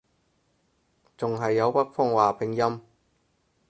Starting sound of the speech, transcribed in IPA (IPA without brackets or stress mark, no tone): t͡s